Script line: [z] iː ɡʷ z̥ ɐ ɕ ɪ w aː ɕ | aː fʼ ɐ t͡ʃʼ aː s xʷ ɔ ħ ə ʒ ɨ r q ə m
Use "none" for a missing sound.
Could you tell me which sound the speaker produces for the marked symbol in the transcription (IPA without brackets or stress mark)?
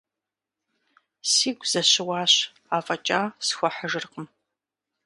s